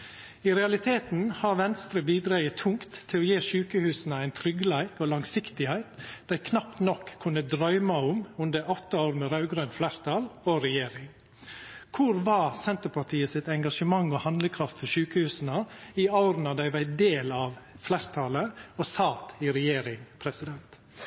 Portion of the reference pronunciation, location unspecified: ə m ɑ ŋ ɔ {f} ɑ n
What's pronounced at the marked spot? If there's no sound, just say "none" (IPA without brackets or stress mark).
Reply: h